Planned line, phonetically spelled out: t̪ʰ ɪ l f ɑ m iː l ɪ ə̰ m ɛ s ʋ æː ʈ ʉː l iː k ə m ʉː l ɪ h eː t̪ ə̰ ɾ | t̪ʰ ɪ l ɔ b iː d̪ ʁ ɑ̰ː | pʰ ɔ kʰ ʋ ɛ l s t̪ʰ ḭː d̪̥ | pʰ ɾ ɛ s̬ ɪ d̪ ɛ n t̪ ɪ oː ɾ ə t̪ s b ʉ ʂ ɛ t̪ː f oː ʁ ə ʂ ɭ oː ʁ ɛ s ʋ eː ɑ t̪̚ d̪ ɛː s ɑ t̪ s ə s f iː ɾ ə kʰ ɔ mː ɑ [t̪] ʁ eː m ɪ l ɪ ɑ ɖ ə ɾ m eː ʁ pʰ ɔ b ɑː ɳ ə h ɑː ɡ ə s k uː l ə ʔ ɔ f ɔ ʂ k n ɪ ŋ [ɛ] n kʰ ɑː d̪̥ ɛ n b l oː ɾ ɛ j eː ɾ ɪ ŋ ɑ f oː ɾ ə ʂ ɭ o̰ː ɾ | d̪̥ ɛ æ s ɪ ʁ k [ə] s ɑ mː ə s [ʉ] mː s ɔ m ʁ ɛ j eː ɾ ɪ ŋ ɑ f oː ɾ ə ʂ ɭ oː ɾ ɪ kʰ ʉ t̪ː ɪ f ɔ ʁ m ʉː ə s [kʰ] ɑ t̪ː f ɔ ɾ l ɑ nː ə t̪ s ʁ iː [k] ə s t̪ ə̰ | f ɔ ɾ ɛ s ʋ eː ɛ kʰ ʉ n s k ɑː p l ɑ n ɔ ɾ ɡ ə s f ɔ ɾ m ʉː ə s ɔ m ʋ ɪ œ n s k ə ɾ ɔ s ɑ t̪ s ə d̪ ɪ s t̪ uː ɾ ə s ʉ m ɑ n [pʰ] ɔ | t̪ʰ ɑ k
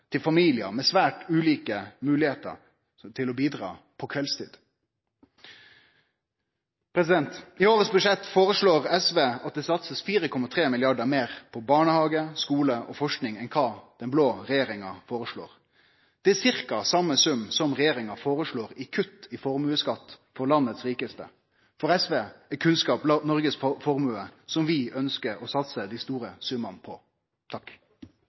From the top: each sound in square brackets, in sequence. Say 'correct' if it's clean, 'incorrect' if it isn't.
incorrect, correct, incorrect, correct, incorrect, correct, correct

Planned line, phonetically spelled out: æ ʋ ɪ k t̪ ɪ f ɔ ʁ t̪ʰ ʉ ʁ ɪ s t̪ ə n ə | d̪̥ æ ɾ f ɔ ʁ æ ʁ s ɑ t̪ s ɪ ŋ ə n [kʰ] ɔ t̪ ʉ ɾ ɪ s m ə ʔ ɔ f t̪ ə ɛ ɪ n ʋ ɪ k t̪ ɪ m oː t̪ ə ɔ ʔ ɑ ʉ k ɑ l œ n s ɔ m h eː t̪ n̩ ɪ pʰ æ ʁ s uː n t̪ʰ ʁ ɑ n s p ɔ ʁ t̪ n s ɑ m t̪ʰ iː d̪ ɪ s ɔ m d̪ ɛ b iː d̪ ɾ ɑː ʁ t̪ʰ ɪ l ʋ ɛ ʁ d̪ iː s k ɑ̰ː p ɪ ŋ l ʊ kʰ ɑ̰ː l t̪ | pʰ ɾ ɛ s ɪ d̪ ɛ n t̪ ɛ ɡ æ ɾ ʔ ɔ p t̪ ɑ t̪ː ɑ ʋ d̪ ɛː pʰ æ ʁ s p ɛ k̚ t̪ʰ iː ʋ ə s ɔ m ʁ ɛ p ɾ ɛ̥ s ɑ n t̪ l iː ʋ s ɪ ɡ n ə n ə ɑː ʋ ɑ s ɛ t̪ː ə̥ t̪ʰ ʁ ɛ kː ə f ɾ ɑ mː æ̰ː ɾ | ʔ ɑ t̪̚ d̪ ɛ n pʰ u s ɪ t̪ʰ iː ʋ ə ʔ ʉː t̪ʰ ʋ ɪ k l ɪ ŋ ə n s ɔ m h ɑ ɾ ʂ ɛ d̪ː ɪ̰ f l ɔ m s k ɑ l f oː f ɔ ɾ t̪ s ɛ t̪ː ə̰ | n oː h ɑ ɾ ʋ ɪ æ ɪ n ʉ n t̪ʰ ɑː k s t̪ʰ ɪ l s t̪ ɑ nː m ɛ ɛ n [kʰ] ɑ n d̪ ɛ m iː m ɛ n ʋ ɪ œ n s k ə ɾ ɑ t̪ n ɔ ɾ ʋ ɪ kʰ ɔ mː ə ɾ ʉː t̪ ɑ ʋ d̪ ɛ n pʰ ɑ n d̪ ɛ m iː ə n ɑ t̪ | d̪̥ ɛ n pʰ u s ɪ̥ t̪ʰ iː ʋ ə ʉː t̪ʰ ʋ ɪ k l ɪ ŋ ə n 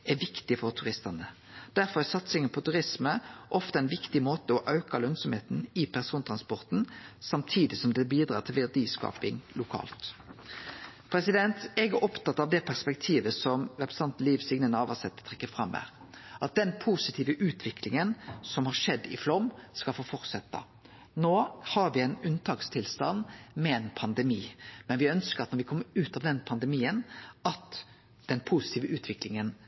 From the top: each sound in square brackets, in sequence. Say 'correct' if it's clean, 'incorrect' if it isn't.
incorrect, incorrect

